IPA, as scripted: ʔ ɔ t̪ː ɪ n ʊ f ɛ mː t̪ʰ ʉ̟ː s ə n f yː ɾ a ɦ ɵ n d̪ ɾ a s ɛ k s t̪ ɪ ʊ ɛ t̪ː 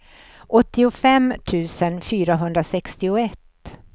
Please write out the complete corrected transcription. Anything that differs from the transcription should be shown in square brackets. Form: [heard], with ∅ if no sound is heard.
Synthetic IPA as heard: ʔ ɔ t̪ː ɪ [∅] ʊ f ɛ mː t̪ʰ ʉ̟ː s ə n f yː ɾ a ɦ ɵ n d̪ ɾ a s ɛ k s t̪ ɪ ʊ ɛ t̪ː